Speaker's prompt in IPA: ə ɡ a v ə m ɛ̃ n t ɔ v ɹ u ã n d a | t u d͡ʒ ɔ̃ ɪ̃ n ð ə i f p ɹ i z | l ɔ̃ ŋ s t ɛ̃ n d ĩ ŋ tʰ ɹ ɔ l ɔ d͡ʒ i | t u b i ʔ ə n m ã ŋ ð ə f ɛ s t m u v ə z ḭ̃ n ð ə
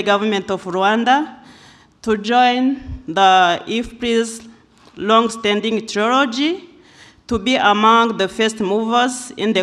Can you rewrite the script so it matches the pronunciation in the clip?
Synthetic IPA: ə ɡ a v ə m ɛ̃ n t ɔ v ɹ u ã n d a | t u d͡ʒ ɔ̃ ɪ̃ n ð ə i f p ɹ i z | l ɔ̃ ŋ s t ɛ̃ n d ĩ ŋ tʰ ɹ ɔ l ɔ d͡ʒ i | t u b i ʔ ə m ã ŋ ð ə f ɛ s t m u v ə z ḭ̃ n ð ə